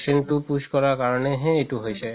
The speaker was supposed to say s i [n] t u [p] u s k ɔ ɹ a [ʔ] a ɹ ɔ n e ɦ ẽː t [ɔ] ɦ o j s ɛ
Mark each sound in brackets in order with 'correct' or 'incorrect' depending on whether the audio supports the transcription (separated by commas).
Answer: correct, correct, incorrect, incorrect